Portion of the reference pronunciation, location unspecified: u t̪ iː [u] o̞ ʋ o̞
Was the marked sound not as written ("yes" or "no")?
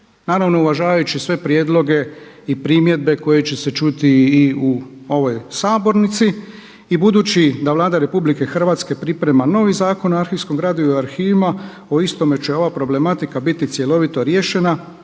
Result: no